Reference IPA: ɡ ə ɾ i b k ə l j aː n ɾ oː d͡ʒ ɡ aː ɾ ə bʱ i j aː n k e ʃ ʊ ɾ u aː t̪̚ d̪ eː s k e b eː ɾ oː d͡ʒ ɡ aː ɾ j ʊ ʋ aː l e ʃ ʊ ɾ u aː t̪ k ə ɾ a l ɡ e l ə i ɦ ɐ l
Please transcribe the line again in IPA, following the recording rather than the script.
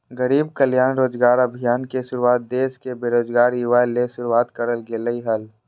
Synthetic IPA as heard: ɡ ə ɾ iː b k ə l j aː n ɾ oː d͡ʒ ɡ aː ɾ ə bʱ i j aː n k e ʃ ʊ ɾ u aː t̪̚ d̪ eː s k e b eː ɾ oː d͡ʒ ɡ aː ɾ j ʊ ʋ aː l e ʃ ʊ ɾ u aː t̪ k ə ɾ ə l ɡ e l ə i ɦ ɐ l